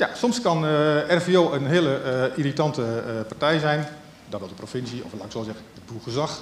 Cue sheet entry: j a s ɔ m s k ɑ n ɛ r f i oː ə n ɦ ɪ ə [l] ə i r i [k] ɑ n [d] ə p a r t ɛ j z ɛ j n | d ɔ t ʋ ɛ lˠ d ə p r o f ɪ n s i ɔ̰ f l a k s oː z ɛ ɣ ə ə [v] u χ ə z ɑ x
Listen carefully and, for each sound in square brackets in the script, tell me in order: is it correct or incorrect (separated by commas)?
correct, incorrect, incorrect, incorrect